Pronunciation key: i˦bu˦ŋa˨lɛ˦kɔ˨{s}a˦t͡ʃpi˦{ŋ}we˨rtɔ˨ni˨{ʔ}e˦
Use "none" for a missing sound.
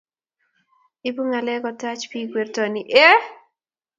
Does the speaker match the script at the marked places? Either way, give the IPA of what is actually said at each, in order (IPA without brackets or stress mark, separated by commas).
t, ɡ, ʔ